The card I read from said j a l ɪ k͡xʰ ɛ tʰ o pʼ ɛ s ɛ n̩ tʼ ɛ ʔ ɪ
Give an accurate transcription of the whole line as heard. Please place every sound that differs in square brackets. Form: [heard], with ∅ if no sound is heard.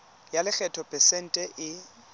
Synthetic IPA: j a l ɪ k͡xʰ ɛ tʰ [ɔ] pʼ ɛ s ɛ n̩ tʼ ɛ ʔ ɪ